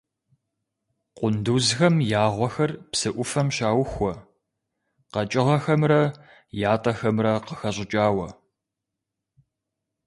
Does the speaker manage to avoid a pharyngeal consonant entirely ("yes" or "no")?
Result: yes